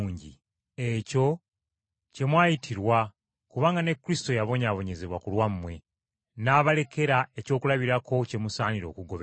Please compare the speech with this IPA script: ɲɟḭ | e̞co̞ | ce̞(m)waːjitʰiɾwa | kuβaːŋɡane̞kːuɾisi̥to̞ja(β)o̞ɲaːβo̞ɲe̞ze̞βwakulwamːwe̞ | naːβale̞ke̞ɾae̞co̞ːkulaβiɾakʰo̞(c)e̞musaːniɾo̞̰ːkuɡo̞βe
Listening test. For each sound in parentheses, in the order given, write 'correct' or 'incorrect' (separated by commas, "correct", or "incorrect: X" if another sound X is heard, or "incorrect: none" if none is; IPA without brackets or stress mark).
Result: correct, correct, correct